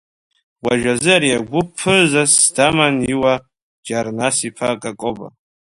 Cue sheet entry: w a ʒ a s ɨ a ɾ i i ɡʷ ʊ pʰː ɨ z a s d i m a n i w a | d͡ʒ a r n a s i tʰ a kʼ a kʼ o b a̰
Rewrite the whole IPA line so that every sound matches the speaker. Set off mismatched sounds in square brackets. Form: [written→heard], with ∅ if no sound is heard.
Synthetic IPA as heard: w a ʒ a [s→z] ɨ a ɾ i [i→a] ɡʷ ʊ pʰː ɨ z a s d [i→a] m a n i w a | d͡ʒ a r n a s i [tʰ→pʰ] a kʼ a kʼ o b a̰